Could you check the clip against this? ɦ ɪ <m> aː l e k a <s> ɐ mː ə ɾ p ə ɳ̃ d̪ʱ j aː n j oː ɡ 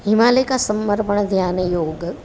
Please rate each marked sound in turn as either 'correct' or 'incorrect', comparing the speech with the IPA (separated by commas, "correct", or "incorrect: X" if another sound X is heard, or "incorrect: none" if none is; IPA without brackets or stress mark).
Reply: correct, correct